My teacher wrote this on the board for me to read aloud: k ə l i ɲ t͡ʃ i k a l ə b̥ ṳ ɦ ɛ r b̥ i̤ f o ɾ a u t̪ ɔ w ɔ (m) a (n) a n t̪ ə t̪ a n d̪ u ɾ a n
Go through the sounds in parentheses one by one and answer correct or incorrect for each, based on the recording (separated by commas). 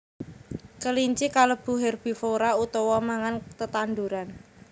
correct, incorrect